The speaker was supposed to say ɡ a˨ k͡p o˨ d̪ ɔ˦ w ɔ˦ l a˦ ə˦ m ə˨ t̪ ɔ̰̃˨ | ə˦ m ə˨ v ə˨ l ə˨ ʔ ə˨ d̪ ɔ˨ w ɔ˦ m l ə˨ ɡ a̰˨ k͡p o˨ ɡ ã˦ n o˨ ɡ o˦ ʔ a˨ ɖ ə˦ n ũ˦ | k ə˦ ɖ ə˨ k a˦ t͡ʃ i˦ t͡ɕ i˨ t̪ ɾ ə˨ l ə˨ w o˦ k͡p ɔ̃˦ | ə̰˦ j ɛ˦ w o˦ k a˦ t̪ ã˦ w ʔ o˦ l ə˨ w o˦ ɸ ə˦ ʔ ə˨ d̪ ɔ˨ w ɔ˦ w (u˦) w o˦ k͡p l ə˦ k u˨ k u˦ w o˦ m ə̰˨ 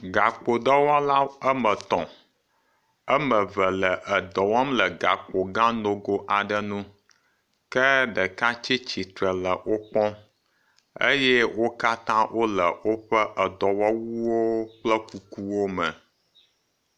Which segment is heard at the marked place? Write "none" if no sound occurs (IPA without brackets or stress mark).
u˦